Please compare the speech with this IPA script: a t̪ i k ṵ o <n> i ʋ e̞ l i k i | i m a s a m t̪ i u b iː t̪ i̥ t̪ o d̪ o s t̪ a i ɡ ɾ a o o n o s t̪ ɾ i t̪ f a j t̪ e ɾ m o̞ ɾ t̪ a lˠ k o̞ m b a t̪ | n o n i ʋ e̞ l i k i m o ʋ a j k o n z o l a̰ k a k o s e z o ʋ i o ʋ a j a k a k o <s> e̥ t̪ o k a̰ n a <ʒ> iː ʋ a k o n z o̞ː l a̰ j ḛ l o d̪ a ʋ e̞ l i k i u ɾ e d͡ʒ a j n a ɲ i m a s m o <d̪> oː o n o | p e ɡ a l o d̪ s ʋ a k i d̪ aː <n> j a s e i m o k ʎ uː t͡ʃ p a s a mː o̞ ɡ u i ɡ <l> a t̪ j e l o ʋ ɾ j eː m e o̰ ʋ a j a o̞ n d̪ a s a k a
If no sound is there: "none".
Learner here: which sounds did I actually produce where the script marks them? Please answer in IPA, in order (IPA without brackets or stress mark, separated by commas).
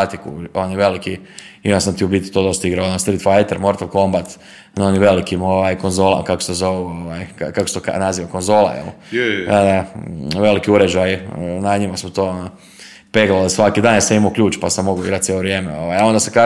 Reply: n, s, z, t̪, n, ɾ